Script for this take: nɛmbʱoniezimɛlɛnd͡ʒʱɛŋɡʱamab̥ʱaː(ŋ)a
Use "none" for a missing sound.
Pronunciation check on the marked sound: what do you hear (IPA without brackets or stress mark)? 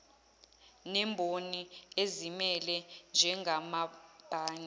ɲ